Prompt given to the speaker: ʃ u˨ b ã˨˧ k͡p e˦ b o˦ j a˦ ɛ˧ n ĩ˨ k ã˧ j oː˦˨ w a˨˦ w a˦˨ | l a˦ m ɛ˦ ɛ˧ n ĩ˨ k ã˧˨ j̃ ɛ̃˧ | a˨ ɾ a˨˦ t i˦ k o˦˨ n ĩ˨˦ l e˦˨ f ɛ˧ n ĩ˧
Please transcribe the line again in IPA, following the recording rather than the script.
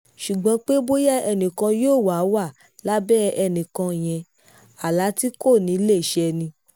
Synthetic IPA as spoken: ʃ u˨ ɡ͡b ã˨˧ k͡p e˦ b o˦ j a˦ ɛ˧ n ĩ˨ k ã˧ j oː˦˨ w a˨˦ w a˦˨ | l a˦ b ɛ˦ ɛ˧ n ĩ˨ k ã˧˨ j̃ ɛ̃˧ | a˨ l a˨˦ t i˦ k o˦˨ n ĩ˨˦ l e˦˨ ʃ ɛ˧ n ĩ˧

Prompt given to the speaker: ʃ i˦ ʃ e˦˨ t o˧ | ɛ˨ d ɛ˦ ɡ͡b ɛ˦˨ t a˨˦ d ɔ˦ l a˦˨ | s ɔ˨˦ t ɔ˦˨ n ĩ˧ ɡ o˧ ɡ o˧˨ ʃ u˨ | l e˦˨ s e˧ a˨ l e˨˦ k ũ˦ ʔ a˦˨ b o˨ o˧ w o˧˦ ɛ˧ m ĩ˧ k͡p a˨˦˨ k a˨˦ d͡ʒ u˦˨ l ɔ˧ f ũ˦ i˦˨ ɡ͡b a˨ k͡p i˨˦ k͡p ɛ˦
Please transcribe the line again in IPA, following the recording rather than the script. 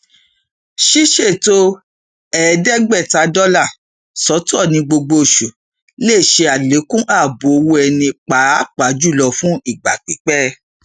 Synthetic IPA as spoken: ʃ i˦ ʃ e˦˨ t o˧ | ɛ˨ d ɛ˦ ɡ͡b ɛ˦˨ t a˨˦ d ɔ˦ l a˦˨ | s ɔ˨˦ t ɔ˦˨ n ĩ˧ ɡ͡b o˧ ɡ͡b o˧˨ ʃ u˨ | l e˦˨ ʃ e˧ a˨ l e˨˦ k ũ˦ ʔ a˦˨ b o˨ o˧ w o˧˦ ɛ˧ n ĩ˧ k͡p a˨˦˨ k͡p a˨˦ d͡ʒ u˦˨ l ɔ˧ f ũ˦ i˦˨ ɡ͡b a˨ k͡p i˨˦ k͡p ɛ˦

